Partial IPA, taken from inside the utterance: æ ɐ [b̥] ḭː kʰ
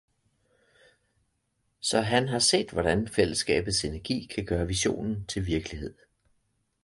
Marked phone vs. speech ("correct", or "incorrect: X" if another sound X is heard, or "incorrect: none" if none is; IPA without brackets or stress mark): incorrect: ɡ̥